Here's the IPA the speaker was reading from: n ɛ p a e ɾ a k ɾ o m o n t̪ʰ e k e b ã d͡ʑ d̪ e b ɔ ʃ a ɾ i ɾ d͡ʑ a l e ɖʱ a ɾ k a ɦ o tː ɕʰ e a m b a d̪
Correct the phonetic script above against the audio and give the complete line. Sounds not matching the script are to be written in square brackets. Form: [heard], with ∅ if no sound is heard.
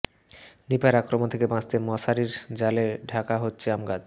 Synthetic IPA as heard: n [i] p a e ɾ a k ɾ o m o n t̪ʰ e k e b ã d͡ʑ [t̪] e [m] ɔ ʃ a ɾ i ɾ d͡ʑ a l e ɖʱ a [∅] k a ɦ o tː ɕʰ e a m [ɡ] a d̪